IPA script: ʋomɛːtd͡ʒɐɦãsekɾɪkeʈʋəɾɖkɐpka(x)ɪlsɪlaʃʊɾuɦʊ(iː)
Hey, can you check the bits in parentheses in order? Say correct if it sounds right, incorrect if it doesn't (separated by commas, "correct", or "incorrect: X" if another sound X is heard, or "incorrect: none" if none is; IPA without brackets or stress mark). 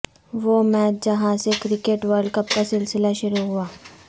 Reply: incorrect: s, incorrect: aː